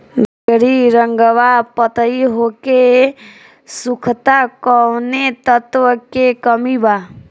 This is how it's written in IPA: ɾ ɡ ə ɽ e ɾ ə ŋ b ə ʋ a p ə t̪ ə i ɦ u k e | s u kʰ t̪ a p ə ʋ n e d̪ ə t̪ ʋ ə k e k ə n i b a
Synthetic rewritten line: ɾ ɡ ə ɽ i ɾ ə ŋ ɡ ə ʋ a p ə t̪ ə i ɦ o k e | s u kʰ t̪ a k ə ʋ n e t̪ ə t̪ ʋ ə k e k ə m i b a